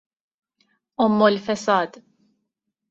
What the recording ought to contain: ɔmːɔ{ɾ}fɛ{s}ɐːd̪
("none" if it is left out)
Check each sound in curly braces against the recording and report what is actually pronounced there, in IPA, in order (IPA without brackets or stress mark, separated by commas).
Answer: l, s